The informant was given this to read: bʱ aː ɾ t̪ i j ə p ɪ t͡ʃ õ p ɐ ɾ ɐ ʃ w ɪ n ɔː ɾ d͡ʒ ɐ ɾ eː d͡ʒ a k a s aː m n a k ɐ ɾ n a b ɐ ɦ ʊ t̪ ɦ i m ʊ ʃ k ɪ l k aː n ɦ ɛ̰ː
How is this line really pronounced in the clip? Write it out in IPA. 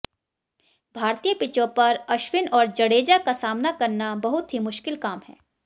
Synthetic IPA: bʱ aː ɾ t̪ i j ə p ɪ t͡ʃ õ p ɐ ɾ ɐ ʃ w ɪ n ɔː ɾ d͡ʒ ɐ ɽ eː d͡ʒ a k a s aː m n a k ɐ ɾ n a b ɐ ɦ ʊ t̪ ɦ i m ʊ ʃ k ɪ l k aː m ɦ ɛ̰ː